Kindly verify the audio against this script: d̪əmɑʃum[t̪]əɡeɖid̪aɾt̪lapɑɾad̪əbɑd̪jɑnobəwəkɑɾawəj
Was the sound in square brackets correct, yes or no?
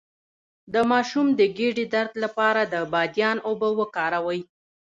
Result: no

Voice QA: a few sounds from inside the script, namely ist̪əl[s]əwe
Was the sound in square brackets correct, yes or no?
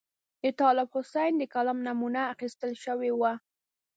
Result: no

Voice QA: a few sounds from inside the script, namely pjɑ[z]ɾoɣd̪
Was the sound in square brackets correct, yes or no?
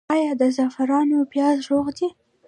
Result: yes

